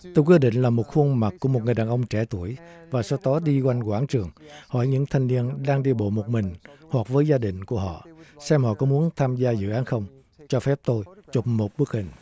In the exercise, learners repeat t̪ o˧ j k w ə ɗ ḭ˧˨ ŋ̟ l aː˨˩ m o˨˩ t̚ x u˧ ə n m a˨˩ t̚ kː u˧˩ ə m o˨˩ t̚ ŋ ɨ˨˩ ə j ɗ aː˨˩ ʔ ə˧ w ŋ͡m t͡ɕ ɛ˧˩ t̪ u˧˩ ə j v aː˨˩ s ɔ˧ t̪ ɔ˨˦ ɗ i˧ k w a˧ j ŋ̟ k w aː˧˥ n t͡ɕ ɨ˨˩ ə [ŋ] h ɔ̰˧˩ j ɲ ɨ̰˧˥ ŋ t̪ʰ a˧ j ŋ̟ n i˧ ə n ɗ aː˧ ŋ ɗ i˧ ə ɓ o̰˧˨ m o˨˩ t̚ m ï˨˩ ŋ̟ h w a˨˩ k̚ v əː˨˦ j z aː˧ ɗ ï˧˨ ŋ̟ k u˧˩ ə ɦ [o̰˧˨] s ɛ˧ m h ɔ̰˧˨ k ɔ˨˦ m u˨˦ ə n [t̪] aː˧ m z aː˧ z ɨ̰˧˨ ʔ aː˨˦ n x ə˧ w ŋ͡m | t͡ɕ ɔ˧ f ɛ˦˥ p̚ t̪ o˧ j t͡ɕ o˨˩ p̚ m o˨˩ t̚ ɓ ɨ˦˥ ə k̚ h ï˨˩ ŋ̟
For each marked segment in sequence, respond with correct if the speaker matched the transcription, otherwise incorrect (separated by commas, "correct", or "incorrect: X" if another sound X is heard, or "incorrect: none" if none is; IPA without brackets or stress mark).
correct, incorrect: ɔ̰˧˨, incorrect: t̪ʰ